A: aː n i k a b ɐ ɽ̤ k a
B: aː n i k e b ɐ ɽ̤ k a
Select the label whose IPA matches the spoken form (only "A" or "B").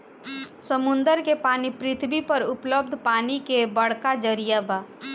B